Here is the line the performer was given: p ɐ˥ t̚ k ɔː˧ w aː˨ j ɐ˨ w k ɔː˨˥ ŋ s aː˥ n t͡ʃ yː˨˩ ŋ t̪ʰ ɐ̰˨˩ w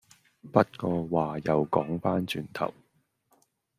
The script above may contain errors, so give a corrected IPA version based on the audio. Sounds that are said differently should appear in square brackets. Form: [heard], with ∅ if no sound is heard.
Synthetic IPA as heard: p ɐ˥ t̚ k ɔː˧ w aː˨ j ɐ˨ w k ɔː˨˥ ŋ [f] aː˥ n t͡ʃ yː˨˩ [n] t̪ʰ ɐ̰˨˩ w